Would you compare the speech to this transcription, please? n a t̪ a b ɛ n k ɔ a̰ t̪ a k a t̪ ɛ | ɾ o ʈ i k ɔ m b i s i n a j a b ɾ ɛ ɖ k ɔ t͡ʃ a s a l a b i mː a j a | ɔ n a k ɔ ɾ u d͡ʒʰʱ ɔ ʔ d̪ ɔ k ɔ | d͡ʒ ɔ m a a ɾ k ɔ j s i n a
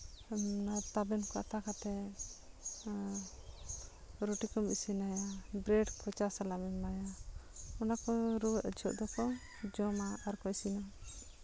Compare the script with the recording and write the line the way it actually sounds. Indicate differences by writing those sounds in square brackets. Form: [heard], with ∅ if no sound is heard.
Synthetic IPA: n a t̪ a b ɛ n k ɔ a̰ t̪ a k a t̪ ɛ | ɾ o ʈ i k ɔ m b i s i n a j a b ɾ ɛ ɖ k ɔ t͡ʃ a s a l a [m] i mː a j a | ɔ n a k ɔ ɾ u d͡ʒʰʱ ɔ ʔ d̪ ɔ k ɔ | d͡ʒ ɔ m a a ɾ k ɔ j s i n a